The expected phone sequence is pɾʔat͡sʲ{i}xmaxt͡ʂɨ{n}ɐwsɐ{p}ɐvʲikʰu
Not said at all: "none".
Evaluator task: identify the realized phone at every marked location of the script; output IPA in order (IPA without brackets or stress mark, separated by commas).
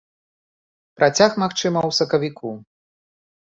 a, m, k